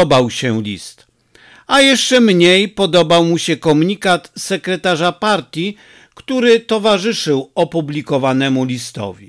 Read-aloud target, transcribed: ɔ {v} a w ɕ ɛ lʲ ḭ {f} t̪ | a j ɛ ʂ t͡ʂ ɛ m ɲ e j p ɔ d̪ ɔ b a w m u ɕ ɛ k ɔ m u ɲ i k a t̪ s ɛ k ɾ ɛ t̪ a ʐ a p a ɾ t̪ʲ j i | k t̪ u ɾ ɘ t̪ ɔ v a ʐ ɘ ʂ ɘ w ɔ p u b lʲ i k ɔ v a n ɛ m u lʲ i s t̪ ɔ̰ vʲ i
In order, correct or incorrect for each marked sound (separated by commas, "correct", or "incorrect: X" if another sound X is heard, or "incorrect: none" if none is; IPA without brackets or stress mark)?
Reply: incorrect: b, incorrect: s